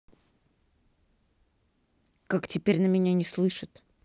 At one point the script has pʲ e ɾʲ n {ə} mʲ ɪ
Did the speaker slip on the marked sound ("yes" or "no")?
no